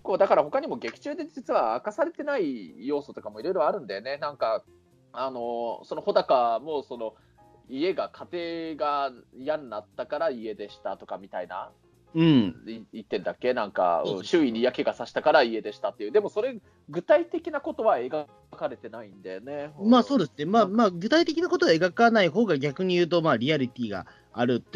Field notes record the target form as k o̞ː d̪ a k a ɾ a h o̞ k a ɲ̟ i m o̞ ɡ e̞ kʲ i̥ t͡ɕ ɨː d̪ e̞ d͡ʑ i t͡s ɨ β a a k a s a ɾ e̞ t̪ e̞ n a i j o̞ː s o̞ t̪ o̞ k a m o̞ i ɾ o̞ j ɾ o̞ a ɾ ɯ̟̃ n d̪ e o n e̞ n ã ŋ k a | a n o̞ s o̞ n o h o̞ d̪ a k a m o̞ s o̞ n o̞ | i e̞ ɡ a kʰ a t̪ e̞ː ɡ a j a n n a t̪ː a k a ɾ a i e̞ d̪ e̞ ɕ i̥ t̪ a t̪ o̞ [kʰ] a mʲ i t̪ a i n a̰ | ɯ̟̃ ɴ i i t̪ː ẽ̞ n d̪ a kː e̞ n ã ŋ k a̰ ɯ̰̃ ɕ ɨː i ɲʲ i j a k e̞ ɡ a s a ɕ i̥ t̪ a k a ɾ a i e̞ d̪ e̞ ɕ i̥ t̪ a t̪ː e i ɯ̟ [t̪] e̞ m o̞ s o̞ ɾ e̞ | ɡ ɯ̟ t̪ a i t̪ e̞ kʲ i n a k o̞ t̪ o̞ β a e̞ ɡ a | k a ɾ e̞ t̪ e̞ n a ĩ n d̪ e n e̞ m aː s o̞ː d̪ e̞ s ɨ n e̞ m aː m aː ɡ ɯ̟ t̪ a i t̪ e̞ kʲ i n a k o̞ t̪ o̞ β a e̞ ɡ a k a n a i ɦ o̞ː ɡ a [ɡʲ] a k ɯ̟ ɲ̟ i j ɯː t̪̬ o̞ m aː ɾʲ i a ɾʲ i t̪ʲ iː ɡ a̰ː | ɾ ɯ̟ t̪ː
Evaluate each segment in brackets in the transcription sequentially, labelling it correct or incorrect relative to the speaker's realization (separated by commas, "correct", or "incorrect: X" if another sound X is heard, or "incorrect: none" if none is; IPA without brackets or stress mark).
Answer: incorrect: k, incorrect: d̪, correct